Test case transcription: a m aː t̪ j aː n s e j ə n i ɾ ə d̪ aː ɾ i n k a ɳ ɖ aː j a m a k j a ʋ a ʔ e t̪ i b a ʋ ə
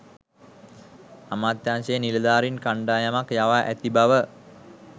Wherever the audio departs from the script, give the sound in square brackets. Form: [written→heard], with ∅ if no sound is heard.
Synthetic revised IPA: a m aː t̪ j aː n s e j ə n i [ɾ→l] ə d̪ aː ɾ i n k a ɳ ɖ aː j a m a k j a ʋ a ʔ [e→æ] t̪ i b a ʋ ə